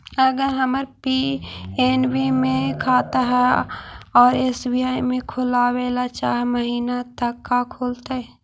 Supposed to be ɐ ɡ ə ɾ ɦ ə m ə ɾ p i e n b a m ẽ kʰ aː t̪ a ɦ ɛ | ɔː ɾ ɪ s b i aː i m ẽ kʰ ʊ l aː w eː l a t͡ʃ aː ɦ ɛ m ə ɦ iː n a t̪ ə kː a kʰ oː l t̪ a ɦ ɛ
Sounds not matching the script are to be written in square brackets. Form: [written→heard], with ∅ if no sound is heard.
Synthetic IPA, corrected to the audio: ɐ ɡ ə ɾ ɦ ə m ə ɾ p i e n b [a→i] m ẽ kʰ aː t̪ a ɦ ɛ | ɔː ɾ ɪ s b i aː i m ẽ kʰ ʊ l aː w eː l a t͡ʃ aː ɦ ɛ m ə ɦ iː n a t̪ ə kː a kʰ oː l t̪ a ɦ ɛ